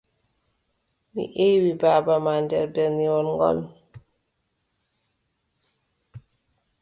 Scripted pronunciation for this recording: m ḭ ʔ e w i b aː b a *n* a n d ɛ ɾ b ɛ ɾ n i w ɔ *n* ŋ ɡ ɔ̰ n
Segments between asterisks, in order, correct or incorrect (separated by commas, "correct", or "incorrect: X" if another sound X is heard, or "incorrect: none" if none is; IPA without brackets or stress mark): incorrect: m, correct